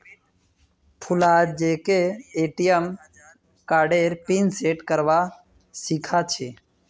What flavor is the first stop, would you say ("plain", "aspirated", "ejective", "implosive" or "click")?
aspirated